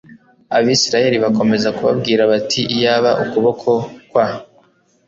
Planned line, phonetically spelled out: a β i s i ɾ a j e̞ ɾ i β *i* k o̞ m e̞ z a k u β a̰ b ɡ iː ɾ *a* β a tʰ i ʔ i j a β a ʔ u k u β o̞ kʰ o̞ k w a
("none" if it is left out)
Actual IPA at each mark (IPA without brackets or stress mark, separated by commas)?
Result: a, a